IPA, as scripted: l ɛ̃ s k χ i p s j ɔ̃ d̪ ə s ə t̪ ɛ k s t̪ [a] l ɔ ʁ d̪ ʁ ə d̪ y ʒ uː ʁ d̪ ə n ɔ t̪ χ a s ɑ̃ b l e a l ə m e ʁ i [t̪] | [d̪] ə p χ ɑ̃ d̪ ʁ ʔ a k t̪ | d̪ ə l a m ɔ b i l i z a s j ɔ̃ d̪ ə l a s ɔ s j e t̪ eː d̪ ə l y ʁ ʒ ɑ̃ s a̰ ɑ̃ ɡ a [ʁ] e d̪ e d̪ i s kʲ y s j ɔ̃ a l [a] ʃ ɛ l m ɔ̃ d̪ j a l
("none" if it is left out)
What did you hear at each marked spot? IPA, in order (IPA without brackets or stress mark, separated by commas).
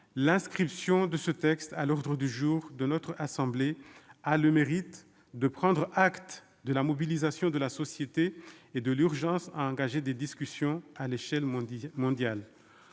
a, t̪, d̪, ʒ, e